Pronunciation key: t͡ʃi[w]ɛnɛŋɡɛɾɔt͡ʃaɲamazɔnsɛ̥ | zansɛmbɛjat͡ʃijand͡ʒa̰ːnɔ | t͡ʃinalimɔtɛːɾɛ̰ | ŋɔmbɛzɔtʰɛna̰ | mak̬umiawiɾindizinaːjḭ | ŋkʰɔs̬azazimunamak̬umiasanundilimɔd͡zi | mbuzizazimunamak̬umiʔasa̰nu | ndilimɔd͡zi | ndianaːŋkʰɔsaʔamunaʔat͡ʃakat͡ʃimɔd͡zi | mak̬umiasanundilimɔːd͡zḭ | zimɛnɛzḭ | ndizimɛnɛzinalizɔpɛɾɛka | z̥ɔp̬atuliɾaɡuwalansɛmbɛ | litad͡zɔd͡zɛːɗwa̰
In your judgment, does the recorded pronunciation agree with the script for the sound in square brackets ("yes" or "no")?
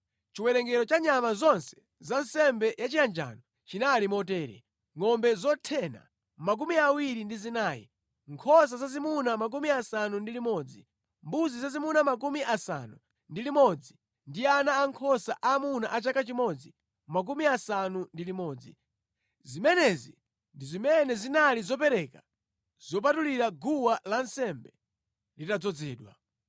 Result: yes